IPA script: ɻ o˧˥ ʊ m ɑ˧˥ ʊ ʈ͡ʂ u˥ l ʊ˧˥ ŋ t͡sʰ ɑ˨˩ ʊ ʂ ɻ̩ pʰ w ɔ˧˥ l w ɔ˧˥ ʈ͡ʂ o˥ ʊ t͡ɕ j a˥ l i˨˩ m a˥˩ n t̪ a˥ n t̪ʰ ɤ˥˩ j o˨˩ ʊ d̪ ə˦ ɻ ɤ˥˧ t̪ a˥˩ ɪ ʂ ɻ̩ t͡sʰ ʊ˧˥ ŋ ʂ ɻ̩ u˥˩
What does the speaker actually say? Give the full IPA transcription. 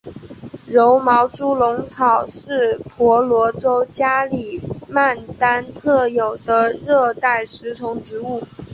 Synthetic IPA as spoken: ɻ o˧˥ ʊ m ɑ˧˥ ʊ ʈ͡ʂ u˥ l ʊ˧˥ ŋ t͡sʰ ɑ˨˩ ʊ ʂ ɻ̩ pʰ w ɔ˧˥ l w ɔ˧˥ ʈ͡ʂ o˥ ʊ t͡ɕ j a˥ l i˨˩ m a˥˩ n t̪ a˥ n t̪ʰ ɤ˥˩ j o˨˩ ʊ d̪ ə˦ ɻ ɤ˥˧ t̪ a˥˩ ɪ ʂ ɻ̩ t͡sʰ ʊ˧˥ ŋ ʈ͡ʂ ɻ̩ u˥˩

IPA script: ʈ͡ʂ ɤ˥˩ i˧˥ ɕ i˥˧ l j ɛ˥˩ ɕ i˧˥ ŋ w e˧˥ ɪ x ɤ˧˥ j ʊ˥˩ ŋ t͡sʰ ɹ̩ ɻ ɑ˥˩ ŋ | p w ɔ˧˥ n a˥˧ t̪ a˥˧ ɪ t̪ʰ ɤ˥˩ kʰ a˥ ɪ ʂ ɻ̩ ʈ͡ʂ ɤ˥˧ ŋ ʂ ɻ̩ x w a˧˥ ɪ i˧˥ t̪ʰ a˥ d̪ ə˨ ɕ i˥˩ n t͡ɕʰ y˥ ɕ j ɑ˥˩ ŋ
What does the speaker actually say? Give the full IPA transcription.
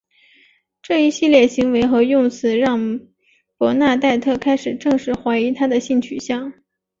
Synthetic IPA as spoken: ʈ͡ʂ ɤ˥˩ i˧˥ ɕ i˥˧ l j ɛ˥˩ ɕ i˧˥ ŋ w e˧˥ ɪ x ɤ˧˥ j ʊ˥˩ ŋ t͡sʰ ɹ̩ ɻ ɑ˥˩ ŋ | p w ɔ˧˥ n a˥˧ t̪ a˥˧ ɪ t̪ʰ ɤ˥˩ kʰ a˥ ɪ ʂ ɻ̩ ʈ͡ʂ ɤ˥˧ ŋ ʂ ɻ̩ x w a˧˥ ɪ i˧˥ t̪ʰ a˥ d̪ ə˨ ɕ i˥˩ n t͡ɕʰ y˨˩ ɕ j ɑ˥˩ ŋ

